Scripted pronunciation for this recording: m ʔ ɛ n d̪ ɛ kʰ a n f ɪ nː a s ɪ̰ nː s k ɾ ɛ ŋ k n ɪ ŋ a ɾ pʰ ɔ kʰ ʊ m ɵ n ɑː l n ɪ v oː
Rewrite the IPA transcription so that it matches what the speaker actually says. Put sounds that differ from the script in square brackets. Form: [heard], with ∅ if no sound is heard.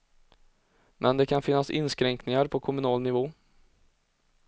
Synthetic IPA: m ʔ ɛ n d̪ ɛ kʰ a n f ɪ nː a s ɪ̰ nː s k ɾ ɛ ŋ k n ɪ ŋ a ɾ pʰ ɔ kʰ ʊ m ɵ n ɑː l n ɪ v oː